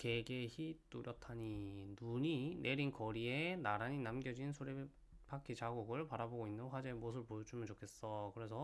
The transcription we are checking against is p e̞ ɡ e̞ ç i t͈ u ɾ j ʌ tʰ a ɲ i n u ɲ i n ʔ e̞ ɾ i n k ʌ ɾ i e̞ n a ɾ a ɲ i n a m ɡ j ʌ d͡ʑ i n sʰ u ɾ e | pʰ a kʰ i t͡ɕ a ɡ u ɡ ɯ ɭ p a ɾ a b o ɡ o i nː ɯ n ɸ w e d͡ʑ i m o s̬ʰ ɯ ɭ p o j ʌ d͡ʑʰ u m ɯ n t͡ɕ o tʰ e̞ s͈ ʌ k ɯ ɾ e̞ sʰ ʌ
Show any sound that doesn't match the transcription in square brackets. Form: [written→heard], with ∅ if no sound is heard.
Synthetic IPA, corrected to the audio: [p→k] e̞ ɡ e̞ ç i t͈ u ɾ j ʌ tʰ a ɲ i n u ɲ i n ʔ e̞ ɾ i n k ʌ ɾ i e̞ n a ɾ a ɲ i n a m ɡ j ʌ d͡ʑ i n sʰ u ɾ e | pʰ a kʰ i t͡ɕ a ɡ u ɡ ɯ ɭ p a ɾ a b o ɡ o i nː ɯ n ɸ w [e→a] d͡ʑ [i→e] m o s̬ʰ ɯ ɭ p o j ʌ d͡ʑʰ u m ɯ n t͡ɕ o [tʰ→kʰ] e̞ s͈ ʌ k ɯ ɾ e̞ sʰ ʌ